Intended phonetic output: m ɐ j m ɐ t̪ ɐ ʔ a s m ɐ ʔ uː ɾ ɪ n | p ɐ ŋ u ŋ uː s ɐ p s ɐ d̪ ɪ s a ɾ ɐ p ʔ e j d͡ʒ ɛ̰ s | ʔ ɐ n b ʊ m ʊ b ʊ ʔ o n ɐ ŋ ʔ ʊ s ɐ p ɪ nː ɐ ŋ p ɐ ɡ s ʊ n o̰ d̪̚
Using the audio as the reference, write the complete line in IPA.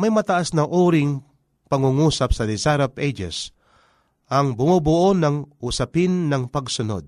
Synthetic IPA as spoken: m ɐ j m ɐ t̪ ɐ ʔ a s n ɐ ʔ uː ɾ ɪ ŋ | p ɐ ŋ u ŋ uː s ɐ p s ɐ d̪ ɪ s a ɾ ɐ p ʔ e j d͡ʒ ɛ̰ s | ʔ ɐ ŋ b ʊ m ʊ b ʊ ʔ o n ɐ ŋ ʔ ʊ s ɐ p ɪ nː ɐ ŋ p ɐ ɡ s ʊ n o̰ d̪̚